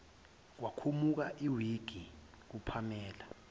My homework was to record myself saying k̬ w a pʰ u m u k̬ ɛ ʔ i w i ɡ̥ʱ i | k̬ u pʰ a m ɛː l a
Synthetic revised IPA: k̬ w a kʰ u m u k̬ a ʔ i w i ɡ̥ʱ i | k̬ u pʰ a m ɛː l a